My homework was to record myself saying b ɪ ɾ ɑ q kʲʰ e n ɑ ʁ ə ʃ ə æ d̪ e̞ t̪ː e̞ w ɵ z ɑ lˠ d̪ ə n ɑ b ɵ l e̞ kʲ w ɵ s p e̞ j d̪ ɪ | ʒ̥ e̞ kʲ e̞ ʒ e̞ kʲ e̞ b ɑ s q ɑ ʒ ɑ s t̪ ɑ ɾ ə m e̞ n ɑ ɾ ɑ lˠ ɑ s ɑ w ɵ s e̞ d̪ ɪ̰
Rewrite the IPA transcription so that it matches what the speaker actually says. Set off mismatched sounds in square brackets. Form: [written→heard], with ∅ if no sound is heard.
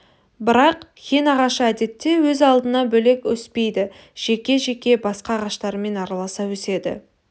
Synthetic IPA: b ɪ ɾ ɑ q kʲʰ e n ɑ ʁ [ə→ɑ] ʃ ə æ d̪ e̞ t̪ː e̞ w ɵ z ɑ lˠ d̪ ə n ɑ b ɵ l e̞ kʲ w ɵ s p e̞ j d̪ ɪ | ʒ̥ e̞ kʲ e̞ ʒ e̞ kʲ e̞ b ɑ s q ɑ [ʒ→ʁ] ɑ [s→ʃ] t̪ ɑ ɾ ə m e̞ n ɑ ɾ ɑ lˠ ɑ s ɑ w ɵ s e̞ d̪ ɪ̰